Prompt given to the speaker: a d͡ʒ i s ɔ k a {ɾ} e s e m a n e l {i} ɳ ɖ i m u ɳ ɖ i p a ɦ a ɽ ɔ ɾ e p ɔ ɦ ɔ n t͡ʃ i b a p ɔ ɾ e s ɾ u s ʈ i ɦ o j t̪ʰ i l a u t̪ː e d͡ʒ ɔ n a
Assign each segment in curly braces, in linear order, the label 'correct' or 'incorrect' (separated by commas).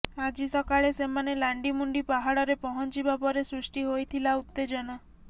incorrect, incorrect